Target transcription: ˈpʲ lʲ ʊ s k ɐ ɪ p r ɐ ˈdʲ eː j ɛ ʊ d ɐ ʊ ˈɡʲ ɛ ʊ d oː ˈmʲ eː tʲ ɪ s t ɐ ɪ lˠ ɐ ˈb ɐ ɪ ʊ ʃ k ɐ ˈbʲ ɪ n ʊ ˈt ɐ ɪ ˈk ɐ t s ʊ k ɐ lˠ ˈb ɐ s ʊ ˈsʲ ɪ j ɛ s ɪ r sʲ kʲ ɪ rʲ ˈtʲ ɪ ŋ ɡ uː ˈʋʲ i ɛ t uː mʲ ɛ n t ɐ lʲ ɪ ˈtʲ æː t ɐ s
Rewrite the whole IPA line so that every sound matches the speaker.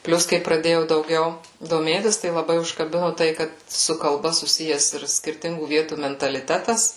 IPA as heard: ˈpʲ lʲ ʊ s k ɐ ɪ p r ɐ ˈdʲ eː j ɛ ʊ d ɐ ʊ ˈɡʲ ɛ ʊ d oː ˈmʲ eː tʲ ɪ s t ɐ ɪ lˠ ɐ ˈb ɐ ɪ ʊ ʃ k ɐ ˈbʲ ɪ n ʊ ˈt ɐ ɪ ˈk ɐ t s ʊ k ɐ lˠ ˈb ɐ s ʊ ˈsʲ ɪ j ɛ s ɪ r sʲ kʲ ɪ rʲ ˈtʲ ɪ ŋ ɡ uː ˈʋʲ i ɛ t uː mʲ ɛ n t ɐ lʲ ɪ ˈtʲ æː t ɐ s